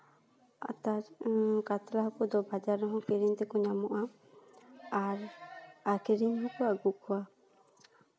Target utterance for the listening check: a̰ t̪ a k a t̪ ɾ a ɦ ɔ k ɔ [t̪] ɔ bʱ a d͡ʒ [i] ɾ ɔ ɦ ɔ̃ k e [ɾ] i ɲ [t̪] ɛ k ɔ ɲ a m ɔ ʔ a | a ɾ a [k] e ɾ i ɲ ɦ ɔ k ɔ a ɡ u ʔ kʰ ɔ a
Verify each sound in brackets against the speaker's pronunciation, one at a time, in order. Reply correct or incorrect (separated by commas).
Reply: incorrect, incorrect, correct, correct, correct